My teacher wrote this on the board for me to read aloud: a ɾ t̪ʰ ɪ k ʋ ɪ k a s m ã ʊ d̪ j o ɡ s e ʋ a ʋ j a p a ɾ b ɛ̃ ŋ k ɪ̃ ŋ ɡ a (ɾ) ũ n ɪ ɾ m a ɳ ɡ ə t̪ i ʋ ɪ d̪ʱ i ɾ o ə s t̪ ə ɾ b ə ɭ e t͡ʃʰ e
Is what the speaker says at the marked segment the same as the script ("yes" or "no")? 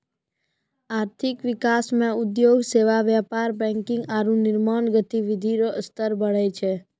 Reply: yes